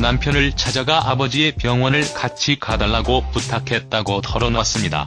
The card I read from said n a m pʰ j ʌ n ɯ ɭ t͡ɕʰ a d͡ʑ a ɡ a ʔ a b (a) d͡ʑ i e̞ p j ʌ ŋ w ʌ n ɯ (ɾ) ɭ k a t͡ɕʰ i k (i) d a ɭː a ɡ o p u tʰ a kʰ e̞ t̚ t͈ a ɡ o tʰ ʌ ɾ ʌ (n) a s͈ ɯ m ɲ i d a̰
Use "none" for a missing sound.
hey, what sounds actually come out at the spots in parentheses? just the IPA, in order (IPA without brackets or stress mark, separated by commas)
ʌ, none, a, n